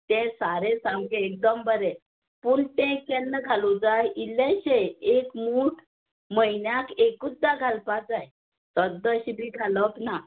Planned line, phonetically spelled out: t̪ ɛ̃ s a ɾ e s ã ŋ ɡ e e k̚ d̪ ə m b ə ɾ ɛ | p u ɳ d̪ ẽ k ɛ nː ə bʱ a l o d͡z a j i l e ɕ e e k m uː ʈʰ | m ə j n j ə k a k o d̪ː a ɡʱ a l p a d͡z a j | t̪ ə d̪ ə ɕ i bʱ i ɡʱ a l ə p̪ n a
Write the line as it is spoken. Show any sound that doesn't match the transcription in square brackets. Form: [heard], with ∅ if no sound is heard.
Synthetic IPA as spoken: t̪ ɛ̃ s a ɾ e s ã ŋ ɡ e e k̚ d̪ ə m b ə ɾ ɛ | p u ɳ [t̪] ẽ k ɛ nː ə [ɡʱ] a l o d͡z a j i l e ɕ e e k m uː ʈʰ | m ə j n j [a] k [e] k [u] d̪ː a ɡʱ a l p a d͡z a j | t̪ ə d̪ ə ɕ i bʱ i ɡʱ a l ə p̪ n a